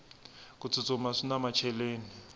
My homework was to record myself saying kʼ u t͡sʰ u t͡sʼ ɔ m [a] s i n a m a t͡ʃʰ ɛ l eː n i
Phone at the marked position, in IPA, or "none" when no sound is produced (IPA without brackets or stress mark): a